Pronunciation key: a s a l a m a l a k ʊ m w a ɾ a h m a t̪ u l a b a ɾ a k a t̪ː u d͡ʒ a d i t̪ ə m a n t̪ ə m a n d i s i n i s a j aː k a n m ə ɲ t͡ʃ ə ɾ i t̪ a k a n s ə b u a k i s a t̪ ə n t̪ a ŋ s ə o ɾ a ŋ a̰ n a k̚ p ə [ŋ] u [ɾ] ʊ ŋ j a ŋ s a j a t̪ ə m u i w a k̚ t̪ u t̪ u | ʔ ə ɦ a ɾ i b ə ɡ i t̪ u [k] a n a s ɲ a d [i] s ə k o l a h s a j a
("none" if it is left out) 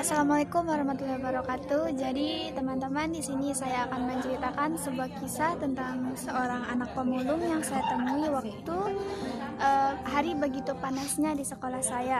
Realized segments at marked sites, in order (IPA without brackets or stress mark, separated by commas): m, l, p, i